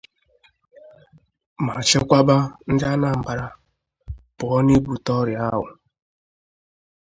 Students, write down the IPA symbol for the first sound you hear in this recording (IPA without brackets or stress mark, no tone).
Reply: m